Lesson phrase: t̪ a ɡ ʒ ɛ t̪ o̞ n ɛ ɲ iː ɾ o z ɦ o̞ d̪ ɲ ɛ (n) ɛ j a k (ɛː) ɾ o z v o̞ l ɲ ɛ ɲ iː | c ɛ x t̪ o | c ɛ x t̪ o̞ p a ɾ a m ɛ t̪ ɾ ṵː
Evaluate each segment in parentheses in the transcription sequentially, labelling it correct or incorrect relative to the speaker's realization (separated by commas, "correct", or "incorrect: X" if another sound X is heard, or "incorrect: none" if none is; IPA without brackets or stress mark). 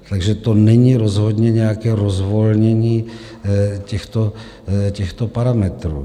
incorrect: ɲ, correct